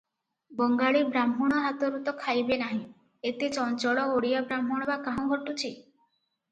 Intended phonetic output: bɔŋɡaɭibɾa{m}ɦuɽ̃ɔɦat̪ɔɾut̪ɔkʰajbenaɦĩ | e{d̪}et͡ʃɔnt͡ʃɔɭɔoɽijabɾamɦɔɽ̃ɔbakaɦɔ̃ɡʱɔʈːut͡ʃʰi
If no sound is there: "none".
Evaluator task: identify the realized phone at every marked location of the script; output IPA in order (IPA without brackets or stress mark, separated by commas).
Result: m, t̪